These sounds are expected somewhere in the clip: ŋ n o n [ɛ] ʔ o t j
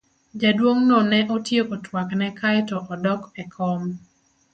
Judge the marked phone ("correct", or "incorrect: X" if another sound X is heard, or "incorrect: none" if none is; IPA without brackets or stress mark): correct